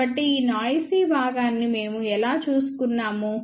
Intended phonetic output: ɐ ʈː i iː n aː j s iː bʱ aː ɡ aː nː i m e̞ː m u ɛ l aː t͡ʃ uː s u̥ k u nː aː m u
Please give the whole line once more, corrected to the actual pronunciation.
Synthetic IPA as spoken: ɐ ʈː i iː n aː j s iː bʱ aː ɡ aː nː i m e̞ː m u ɛ l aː t͡ʃ uː s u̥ k u nː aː m u